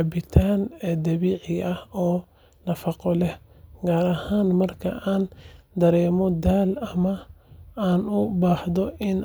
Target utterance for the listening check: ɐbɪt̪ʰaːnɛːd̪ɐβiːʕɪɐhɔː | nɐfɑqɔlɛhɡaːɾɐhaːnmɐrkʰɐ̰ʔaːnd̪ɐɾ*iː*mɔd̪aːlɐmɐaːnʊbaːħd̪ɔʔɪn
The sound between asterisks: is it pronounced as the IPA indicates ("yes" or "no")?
no